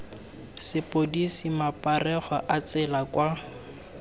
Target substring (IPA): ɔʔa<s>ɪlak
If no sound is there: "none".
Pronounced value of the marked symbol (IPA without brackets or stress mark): t͡s